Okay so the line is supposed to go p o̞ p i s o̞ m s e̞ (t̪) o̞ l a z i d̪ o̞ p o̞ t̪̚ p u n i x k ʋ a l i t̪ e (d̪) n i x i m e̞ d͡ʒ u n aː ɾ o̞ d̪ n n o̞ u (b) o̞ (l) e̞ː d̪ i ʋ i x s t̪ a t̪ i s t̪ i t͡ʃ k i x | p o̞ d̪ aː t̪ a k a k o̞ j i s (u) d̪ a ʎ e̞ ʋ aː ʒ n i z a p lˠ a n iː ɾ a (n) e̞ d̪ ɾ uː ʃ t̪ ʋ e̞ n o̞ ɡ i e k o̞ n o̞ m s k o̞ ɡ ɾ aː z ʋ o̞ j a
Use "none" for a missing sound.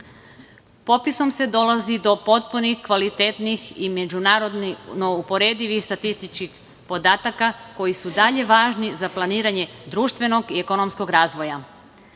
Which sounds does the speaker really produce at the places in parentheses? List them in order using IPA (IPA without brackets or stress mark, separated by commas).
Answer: d̪, t̪, p, ɾ, u, ɲ